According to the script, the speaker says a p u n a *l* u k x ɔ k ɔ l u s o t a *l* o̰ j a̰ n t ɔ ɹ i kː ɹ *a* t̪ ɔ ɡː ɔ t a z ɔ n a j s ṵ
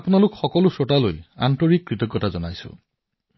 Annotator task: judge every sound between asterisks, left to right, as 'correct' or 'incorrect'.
correct, correct, incorrect: i

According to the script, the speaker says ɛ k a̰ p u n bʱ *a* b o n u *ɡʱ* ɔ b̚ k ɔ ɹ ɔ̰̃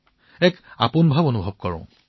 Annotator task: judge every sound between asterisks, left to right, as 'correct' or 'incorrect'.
correct, incorrect: bʱ

